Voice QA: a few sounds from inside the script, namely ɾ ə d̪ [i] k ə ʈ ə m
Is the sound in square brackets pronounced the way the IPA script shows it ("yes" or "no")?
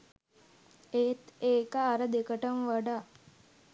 no